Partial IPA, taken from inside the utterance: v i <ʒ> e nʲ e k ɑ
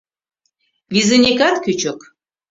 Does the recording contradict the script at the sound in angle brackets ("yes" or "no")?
yes